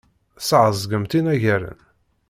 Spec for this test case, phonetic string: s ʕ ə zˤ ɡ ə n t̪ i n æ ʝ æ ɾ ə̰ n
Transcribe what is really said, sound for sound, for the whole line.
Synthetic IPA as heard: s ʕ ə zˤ ɡ ə m t̪ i n æ ʝ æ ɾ ə̰ n